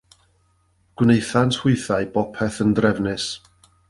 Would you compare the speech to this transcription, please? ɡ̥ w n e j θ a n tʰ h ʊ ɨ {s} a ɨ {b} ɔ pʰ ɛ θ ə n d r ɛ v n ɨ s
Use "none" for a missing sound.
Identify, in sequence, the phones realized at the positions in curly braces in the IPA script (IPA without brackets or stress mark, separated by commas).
θ, b